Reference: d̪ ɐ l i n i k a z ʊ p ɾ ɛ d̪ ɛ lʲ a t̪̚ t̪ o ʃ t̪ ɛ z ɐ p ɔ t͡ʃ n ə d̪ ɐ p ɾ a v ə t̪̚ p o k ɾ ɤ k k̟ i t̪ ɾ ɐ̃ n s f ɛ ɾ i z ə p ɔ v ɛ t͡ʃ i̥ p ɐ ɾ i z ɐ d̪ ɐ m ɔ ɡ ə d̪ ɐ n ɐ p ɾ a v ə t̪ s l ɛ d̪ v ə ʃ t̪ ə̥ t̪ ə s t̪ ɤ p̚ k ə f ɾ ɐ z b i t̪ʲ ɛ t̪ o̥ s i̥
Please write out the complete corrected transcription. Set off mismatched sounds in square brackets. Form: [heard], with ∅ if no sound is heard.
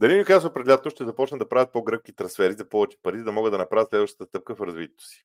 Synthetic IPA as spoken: d̪ ɐ l i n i k a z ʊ p ɾ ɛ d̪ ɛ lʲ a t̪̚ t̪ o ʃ t̪ ɛ z ɐ p ɔ t͡ʃ n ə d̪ ɐ p ɾ a v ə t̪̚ p o [ɡ] ɾ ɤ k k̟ i t̪ ɾ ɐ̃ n s f ɛ ɾ i z [ɐ] p ɔ v ɛ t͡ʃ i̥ p ɐ ɾ i z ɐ d̪ ɐ m ɔ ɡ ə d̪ ɐ n ɐ p ɾ a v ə t̪ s l ɛ d̪ v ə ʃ t̪ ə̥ t̪ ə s t̪ ɤ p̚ k ə f ɾ ɐ z [v] i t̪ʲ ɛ t̪ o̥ s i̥